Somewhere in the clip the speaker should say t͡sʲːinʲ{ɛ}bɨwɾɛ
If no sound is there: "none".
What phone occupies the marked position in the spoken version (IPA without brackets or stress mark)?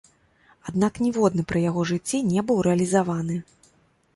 ɛ